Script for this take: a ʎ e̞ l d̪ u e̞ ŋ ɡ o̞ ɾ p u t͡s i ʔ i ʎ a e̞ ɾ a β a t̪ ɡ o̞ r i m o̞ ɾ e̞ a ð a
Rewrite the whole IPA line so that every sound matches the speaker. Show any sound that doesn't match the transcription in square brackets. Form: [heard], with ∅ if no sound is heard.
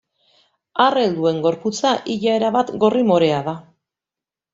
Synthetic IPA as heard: a [r] e̞ l d̪ u e̞ ŋ ɡ o̞ ɾ p u t͡s [a] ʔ i ʎ a e̞ ɾ a β a t̪ ɡ o̞ r i m o̞ ɾ e̞ a ð a